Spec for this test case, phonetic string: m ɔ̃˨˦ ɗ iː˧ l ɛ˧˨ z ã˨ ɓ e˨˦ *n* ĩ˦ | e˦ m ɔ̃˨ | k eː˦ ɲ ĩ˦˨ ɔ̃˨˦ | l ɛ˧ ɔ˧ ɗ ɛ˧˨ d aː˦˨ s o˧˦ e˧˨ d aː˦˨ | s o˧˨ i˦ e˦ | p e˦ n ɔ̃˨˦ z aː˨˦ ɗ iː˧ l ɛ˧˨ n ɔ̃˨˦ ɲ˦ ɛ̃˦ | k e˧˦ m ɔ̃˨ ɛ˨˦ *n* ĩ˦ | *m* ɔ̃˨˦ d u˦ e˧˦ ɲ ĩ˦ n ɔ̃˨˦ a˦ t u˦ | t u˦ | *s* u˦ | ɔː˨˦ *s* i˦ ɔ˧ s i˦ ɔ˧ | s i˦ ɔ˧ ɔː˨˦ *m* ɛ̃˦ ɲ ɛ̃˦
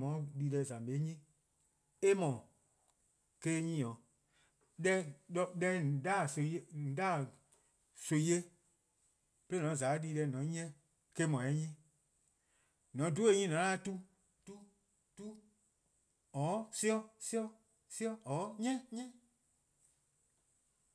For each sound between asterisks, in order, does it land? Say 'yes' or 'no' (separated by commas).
no, no, no, no, yes, no